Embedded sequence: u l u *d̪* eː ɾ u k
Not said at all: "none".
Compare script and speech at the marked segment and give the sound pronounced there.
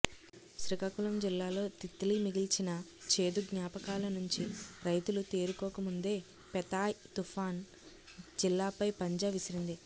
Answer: t̪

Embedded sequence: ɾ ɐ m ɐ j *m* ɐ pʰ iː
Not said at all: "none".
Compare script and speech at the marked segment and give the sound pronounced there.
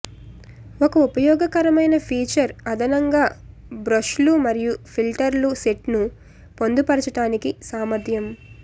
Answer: n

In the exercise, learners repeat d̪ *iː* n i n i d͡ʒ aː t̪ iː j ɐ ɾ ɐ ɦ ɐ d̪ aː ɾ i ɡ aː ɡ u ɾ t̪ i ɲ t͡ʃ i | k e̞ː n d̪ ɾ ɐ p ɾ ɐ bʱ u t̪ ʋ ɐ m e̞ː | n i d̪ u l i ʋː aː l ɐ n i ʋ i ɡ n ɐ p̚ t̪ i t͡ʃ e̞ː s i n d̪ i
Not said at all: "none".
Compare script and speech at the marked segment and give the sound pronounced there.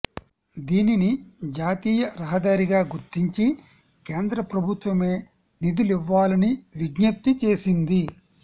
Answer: iː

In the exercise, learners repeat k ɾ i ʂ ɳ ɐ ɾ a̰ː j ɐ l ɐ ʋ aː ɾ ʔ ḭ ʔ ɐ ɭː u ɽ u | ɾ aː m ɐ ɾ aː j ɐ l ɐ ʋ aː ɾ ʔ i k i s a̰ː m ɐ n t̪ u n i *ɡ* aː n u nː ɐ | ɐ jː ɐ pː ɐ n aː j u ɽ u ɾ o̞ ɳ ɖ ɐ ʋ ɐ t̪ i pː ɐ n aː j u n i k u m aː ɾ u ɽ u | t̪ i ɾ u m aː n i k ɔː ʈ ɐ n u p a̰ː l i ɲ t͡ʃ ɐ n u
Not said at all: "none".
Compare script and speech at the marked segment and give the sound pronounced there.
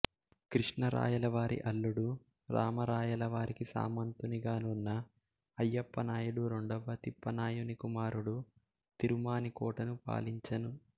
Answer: ɡ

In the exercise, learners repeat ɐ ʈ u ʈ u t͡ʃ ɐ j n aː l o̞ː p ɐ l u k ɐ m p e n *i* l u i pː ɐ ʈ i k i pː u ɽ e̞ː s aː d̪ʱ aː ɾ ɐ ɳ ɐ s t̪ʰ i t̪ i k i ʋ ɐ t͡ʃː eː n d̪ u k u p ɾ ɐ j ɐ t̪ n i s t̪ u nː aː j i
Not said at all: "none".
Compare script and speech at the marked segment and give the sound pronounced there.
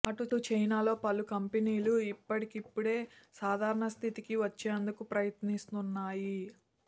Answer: iː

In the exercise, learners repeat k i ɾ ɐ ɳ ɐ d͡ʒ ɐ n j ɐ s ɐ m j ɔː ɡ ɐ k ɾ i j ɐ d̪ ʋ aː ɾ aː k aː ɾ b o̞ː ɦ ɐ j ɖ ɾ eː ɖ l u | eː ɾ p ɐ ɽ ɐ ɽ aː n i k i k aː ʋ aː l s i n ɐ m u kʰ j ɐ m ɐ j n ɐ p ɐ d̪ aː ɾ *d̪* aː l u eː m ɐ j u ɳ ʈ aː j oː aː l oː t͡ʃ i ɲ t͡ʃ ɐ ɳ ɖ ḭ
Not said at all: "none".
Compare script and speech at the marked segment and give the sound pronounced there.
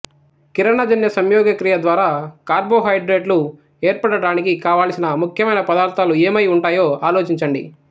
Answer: t̪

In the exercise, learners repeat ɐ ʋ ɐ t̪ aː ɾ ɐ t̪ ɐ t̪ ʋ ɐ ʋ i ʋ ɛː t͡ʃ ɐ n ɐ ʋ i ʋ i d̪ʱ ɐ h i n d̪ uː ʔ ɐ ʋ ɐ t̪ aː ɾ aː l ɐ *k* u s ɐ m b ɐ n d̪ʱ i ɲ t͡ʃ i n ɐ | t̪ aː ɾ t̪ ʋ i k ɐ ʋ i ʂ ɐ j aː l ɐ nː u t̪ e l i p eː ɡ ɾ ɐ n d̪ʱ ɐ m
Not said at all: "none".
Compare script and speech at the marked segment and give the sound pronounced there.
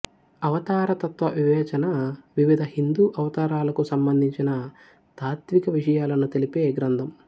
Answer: k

